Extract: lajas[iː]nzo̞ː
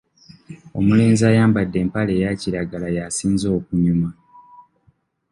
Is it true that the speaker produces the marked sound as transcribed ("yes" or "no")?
yes